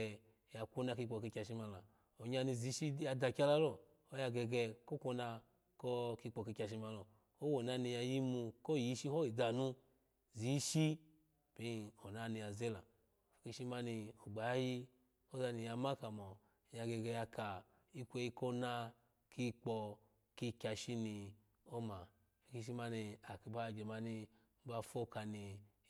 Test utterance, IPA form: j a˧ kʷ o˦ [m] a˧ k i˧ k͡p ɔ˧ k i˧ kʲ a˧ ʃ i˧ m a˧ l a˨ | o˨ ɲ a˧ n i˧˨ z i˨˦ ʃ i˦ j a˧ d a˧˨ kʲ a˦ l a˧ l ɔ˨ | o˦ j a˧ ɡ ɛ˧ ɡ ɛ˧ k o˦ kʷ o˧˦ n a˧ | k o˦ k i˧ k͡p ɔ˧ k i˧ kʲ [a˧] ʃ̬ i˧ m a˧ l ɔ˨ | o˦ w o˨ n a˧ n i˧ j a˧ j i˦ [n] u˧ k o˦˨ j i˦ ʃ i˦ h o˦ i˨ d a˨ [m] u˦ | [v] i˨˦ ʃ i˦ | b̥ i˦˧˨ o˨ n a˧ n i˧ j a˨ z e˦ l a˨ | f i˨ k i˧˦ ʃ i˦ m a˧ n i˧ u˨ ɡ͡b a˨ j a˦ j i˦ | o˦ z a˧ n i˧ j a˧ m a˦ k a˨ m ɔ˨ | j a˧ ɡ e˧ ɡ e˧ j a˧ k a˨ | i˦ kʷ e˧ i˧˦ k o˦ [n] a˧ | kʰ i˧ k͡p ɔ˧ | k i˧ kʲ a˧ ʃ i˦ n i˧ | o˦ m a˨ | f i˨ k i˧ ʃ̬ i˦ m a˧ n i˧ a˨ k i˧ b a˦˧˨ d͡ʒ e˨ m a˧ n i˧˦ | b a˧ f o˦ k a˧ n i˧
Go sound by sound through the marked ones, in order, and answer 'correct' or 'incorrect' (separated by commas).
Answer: incorrect, correct, incorrect, incorrect, incorrect, correct